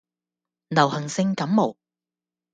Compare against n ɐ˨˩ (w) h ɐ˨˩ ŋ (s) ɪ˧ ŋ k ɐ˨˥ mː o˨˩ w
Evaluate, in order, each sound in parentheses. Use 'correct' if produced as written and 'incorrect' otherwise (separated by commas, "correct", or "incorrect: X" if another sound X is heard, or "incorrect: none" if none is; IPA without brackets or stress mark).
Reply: correct, correct